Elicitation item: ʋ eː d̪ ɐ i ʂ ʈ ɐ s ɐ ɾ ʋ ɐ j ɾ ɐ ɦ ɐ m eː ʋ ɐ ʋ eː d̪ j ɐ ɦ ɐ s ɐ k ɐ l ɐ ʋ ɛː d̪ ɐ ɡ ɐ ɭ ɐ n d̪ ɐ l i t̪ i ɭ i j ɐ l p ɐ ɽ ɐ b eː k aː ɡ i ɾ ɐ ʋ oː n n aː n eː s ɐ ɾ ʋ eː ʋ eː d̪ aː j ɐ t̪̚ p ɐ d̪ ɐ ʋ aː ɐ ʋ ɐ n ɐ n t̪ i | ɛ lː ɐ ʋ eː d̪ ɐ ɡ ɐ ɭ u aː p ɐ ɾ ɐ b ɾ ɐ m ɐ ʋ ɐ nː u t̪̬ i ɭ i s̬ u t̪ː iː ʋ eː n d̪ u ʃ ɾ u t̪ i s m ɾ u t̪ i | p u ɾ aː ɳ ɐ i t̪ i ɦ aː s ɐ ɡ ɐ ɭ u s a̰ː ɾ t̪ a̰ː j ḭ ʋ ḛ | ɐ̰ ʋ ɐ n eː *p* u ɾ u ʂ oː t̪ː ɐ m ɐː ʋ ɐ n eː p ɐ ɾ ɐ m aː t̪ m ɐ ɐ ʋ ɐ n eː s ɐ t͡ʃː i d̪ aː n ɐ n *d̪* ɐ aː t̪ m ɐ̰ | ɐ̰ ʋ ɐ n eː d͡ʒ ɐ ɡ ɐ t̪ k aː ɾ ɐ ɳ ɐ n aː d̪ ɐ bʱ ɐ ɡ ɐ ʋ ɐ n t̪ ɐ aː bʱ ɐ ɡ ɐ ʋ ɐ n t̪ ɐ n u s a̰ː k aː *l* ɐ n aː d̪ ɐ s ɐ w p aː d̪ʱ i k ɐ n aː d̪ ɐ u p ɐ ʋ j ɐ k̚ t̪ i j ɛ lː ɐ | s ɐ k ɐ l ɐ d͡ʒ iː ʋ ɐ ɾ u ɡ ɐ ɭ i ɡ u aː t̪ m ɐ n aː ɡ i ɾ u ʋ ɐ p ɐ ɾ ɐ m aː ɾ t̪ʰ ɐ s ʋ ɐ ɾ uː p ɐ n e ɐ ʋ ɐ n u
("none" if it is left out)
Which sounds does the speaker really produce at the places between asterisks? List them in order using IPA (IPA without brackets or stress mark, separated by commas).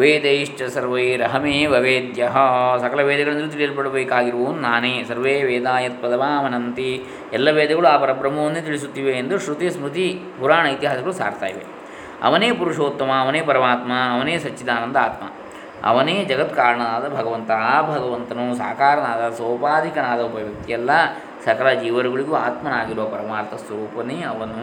p, d̪, ɾ